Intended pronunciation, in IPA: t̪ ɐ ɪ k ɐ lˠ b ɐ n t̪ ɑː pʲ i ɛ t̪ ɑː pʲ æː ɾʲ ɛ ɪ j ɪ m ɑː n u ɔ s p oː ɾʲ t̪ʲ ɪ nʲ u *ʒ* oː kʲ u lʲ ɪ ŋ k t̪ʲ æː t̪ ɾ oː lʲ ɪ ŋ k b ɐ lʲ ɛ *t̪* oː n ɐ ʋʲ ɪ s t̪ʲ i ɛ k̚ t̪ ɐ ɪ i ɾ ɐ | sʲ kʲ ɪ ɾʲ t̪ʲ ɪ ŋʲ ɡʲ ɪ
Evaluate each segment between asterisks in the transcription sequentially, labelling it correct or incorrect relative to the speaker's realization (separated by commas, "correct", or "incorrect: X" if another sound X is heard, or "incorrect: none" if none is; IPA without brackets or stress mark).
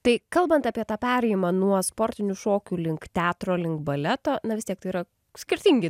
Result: incorrect: ʃ, correct